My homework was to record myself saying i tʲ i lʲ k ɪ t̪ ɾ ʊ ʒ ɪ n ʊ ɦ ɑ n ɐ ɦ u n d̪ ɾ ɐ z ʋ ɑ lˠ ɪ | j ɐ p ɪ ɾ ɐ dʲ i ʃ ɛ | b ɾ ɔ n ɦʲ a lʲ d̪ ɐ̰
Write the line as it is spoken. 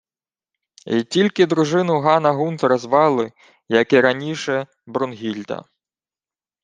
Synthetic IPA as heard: i tʲ i lʲ k ɪ d̪ ɾ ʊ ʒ ɪ n ʊ ɦ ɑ n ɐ ɦ u n t̪ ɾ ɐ z ʋ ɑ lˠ ɪ | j ɐ k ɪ ɾ ɐ nʲ i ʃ ɛ | b ɾ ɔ n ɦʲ i lʲ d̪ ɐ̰